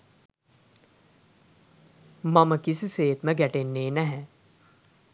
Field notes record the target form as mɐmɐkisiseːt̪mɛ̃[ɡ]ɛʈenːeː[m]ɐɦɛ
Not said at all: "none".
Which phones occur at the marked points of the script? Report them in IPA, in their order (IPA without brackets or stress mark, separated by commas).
ɡ, n